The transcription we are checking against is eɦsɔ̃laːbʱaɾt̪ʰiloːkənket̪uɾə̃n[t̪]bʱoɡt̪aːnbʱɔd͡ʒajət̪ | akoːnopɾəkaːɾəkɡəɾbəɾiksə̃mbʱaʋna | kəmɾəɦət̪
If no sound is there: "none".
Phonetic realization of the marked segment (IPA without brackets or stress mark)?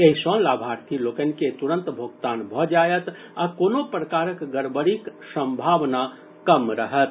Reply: t̪